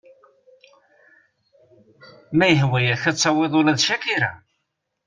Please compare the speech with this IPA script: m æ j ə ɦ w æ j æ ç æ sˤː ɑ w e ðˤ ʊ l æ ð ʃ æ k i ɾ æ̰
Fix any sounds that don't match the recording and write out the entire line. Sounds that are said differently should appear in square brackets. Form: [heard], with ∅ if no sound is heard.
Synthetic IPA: m æ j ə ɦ w æ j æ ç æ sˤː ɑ w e ðˤ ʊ l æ ð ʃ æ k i ɾ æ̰